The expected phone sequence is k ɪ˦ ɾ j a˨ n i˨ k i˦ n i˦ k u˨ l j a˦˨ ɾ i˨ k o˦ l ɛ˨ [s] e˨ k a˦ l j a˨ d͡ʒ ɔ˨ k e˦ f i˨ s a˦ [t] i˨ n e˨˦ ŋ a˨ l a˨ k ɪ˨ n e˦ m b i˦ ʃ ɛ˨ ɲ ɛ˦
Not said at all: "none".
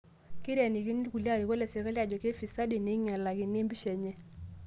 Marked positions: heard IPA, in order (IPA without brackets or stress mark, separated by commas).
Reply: s, d